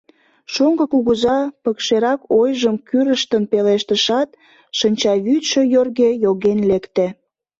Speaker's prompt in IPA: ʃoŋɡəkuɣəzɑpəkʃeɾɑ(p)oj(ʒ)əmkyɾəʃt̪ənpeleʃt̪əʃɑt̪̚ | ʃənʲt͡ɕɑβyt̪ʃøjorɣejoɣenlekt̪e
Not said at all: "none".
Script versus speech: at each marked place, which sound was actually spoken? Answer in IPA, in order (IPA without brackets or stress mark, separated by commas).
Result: k, ʒ